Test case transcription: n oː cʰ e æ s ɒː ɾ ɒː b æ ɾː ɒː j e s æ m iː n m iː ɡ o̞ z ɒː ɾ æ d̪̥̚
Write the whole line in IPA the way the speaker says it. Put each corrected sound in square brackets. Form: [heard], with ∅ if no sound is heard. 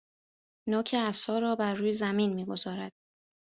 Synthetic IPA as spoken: n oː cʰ e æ s ɒː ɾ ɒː b æ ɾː [uː] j e [z] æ m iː n m iː ɡ o̞ z ɒː ɾ æ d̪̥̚